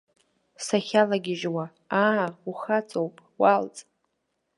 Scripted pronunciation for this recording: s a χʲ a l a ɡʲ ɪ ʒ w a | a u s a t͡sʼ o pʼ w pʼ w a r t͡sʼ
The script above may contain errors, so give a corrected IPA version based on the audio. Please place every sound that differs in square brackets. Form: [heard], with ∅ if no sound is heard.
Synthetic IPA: s a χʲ a l a ɡʲ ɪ ʒ w a | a u [χ] a t͡sʼ o [∅] w pʼ w a [l] t͡sʼ